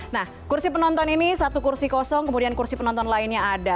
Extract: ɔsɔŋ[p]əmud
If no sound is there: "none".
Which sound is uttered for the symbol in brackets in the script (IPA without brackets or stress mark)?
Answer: k